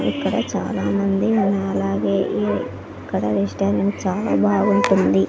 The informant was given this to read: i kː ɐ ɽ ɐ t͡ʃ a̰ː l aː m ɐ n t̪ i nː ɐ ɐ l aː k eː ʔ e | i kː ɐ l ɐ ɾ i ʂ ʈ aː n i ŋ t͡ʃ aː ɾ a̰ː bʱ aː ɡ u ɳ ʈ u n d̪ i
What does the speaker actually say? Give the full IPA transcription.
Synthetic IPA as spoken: i kː ɐ ɽ ɐ t͡ʃ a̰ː l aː m ɐ n d̪ i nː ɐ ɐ l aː ɡ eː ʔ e | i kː ɐ ɽ ɐ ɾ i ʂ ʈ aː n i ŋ t͡ʃ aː l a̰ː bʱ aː ɡ u ɳ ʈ u n d̪ i